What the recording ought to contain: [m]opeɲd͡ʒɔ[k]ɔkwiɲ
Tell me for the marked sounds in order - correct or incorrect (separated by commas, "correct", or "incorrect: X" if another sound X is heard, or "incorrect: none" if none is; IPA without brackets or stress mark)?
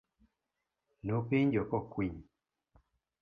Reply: incorrect: n, correct